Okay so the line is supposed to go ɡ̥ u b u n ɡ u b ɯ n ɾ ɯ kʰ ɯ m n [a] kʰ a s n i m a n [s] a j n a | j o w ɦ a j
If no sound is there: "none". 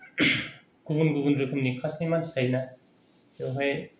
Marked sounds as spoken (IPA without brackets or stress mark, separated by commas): i, s